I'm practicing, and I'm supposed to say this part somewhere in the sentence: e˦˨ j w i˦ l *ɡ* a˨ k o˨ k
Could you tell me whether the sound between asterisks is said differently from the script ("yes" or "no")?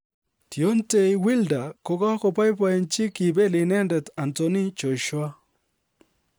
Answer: yes